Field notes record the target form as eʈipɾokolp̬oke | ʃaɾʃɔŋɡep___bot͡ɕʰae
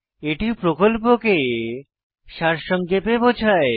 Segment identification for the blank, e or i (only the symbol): e